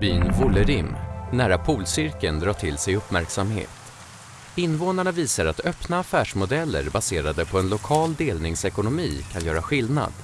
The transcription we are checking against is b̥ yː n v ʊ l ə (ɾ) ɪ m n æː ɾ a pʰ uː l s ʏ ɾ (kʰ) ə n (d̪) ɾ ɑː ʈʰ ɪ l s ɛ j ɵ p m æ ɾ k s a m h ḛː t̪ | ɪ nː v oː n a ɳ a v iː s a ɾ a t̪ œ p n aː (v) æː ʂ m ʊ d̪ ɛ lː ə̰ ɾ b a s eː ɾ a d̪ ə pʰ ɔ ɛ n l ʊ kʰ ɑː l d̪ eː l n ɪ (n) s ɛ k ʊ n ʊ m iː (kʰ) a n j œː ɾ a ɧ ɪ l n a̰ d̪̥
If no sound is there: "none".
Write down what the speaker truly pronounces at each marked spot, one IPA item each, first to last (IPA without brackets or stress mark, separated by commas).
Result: ɾ, k, d̪, f, ŋ, kʰ